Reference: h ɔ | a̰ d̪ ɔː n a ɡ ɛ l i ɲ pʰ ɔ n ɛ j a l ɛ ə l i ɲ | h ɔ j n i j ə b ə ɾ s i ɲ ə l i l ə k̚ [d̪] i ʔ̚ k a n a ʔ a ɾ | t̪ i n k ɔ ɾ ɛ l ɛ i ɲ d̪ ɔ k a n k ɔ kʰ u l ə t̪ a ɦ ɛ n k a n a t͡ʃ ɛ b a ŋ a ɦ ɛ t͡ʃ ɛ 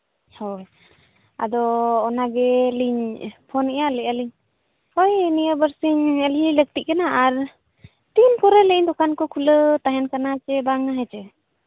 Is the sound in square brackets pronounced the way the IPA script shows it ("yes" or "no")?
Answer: no